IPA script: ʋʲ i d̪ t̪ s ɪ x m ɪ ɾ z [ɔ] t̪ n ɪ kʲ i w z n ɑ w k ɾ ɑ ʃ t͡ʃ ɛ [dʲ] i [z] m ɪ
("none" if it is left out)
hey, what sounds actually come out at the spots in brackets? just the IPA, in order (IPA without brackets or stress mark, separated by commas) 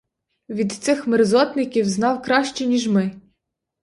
ɔ, nʲ, ʒ